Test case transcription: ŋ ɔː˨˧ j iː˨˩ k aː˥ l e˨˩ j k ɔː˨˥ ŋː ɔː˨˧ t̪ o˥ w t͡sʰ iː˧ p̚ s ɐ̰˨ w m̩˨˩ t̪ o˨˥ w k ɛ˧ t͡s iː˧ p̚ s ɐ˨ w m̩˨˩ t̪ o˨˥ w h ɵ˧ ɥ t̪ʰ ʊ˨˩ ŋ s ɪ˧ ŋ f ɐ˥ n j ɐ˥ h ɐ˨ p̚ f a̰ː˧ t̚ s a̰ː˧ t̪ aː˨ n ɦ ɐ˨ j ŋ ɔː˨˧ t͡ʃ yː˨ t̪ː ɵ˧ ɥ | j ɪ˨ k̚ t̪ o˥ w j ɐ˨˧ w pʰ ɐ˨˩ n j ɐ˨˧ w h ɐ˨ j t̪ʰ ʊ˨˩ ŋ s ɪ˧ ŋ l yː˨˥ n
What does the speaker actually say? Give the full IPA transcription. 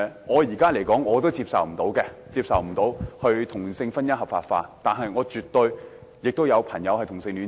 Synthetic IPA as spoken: ŋ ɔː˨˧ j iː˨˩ k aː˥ l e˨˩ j k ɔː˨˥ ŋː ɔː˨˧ t̪ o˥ w t͡s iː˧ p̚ s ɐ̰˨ w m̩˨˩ t̪ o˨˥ w k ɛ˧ t͡s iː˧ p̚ s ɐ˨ w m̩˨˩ t̪ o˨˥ w h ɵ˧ ɥ t̪ʰ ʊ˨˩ ŋ s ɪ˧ ŋ f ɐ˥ n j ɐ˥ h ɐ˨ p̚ f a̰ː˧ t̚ f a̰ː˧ t̪ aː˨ n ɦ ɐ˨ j ŋ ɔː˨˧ t͡ʃ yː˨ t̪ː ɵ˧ ɥ | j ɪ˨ k̚ t̪ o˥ w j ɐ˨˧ w pʰ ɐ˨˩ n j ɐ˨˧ w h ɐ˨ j t̪ʰ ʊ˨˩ ŋ s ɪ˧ ŋ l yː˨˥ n